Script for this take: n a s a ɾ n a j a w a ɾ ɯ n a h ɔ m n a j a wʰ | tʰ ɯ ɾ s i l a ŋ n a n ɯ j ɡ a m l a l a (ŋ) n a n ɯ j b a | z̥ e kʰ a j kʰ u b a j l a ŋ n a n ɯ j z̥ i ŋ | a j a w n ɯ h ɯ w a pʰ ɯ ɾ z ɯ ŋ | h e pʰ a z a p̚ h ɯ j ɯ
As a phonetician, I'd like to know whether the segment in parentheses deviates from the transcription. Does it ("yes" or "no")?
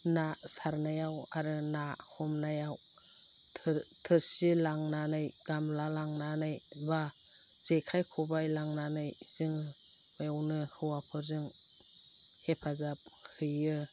no